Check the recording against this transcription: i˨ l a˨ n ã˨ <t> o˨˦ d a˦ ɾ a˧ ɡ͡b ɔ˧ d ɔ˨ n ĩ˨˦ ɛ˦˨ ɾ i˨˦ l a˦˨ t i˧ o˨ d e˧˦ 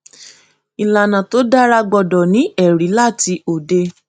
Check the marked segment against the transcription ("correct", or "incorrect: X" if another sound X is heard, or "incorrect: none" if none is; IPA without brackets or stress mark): correct